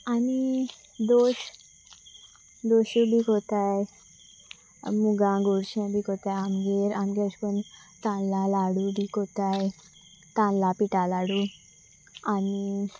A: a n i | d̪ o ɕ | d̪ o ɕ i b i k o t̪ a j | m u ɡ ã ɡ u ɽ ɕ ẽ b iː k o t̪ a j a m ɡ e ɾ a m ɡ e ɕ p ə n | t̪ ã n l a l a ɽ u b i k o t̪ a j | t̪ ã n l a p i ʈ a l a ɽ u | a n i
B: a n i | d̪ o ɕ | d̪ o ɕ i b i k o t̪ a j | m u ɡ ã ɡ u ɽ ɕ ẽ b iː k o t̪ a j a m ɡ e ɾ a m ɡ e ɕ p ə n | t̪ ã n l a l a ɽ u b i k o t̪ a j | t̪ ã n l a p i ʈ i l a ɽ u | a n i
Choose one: A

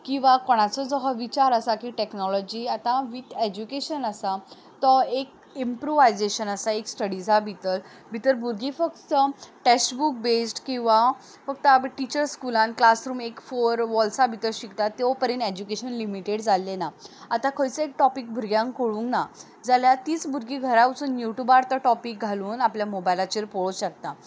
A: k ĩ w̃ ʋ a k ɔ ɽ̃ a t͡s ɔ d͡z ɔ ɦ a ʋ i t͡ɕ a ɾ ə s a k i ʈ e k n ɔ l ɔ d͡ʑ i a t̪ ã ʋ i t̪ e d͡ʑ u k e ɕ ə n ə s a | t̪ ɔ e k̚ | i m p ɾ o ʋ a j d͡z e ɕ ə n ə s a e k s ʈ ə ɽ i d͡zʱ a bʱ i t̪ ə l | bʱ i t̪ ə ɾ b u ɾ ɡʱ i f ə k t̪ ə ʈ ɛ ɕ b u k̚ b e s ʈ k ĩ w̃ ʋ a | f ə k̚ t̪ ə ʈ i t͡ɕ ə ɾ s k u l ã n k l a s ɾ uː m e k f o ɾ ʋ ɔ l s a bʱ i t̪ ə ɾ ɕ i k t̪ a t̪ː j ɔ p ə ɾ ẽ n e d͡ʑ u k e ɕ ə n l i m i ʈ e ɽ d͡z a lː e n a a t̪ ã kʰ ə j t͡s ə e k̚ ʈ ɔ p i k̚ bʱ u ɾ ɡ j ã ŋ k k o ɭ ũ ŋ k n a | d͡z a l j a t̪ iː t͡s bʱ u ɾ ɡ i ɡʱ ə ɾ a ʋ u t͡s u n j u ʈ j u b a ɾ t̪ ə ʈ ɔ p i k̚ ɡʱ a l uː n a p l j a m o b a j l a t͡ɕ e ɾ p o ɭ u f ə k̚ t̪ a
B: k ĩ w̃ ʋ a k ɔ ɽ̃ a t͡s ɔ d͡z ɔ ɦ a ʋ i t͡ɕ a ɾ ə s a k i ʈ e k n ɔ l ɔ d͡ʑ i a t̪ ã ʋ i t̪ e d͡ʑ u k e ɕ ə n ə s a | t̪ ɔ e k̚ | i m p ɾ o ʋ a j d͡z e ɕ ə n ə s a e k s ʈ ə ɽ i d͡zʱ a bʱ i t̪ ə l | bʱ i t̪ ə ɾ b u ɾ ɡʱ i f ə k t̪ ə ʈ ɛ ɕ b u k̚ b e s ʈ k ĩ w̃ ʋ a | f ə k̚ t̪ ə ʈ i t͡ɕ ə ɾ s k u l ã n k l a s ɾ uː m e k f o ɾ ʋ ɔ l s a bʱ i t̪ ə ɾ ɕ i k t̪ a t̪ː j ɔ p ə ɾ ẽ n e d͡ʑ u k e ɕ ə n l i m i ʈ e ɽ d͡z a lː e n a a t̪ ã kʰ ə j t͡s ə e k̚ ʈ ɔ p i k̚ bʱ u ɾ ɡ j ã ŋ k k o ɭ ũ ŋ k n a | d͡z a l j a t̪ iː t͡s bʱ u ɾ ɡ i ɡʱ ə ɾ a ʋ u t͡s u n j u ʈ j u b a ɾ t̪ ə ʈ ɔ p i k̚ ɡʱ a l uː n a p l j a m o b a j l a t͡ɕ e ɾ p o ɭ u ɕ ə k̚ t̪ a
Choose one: B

